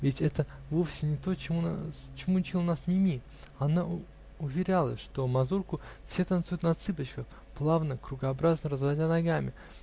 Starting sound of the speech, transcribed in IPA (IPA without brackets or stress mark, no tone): vʲ